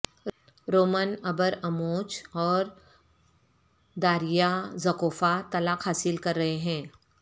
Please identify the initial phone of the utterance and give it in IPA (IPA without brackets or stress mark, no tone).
ɾ